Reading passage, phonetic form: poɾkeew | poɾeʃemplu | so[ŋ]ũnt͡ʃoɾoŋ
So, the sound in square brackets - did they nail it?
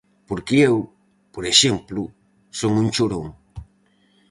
yes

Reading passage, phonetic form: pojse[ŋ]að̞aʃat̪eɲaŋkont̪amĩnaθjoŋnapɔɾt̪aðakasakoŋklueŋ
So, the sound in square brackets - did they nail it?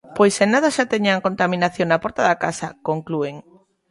no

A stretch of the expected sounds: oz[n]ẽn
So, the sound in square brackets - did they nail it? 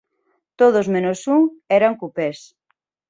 no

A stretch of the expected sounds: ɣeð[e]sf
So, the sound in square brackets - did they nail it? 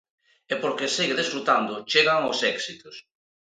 yes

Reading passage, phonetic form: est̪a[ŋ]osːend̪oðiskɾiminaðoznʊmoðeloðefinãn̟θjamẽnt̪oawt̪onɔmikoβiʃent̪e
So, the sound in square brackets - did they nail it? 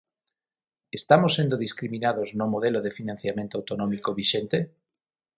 no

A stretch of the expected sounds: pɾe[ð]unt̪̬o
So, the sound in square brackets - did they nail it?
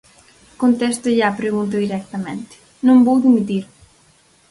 no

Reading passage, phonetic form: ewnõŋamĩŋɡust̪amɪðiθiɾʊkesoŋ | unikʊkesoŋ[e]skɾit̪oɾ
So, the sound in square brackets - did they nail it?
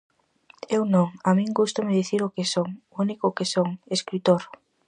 yes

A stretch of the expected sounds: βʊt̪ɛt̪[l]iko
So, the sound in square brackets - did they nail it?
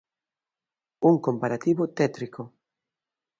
no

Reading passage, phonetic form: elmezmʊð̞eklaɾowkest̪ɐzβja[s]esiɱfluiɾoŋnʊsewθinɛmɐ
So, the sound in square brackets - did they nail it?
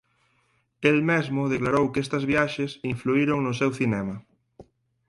no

